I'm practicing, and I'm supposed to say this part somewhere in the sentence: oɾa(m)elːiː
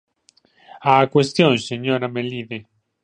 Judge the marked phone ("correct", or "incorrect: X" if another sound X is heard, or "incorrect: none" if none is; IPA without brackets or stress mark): correct